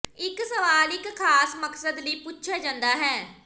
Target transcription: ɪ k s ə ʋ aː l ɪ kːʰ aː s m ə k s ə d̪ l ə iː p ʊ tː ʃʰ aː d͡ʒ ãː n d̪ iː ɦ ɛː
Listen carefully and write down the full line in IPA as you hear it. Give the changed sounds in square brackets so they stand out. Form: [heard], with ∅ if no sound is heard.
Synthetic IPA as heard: ɪ k s ə ʋ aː l ɪ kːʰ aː s m ə k s ə d̪ l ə iː p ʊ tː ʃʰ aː d͡ʒ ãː n d̪ [aː] ɦ ɛː